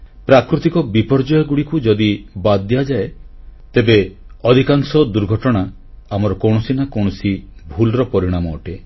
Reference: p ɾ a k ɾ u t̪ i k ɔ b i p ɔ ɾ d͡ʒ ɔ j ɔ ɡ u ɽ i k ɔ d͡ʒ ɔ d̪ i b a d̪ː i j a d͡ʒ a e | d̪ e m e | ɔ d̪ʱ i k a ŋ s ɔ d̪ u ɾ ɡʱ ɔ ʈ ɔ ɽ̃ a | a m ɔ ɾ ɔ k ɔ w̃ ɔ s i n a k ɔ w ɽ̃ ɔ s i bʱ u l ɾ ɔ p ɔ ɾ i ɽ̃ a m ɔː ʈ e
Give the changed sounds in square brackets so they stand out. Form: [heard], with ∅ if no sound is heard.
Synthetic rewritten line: p ɾ a k ɾ u t̪ i k ɔ b i p ɔ ɾ d͡ʒ ɔ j ɔ ɡ u ɽ i k [u] d͡ʒ ɔ d̪ i b a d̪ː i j a d͡ʒ a e | [t̪] e [b] e | ɔ d̪ʱ i k a ŋ s ɔ d̪ u ɾ ɡʱ ɔ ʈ ɔ ɽ̃ a | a m ɔ ɾ ɔ k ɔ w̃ ɔ s i n a k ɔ w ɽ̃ ɔ s i bʱ u l ɾ ɔ p ɔ ɾ i ɽ̃ a m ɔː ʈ e

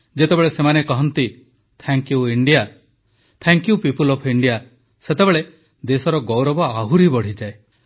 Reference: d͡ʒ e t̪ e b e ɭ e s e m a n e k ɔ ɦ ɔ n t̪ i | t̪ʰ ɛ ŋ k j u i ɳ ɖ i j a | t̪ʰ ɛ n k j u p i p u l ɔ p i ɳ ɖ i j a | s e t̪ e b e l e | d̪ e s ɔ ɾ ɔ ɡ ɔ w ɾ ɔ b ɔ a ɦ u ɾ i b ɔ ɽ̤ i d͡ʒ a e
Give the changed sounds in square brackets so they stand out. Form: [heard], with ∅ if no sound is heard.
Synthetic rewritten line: d͡ʒ e t̪ e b e ɭ e s e m a n e k ɔ ɦ ɔ n t̪ i | t̪ʰ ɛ ŋ k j u i ɳ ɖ i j a | t̪ʰ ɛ [ŋ] k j u p i p u l ɔ [pʰ] i ɳ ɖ i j a | s e t̪ e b e [ɭ] e | d̪ e s ɔ ɾ ɔ ɡ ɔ w ɾ ɔ b ɔ a ɦ u ɾ i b ɔ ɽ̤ i d͡ʒ a e

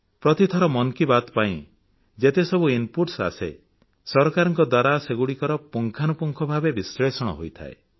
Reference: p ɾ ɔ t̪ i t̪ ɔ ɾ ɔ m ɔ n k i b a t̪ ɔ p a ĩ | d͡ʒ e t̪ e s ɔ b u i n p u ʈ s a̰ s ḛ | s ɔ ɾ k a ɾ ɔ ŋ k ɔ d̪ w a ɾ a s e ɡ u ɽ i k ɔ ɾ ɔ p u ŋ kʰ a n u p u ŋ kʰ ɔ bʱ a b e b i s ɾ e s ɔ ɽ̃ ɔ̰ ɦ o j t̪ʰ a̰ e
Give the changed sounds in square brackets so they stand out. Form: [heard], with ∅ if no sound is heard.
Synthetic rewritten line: p ɾ ɔ t̪ i [t̪ʰ] ɔ ɾ ɔ m ɔ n k i b a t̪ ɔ p a ĩ | d͡ʒ e t̪ e s ɔ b u i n p u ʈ s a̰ s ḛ | s ɔ ɾ k a ɾ ɔ ŋ k ɔ d̪ w a ɾ a s e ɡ u ɽ i k ɔ ɾ ɔ p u ŋ kʰ a n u p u ŋ kʰ ɔ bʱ a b e b i s ɾ e s ɔ ɽ̃ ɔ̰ ɦ o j t̪ʰ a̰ e

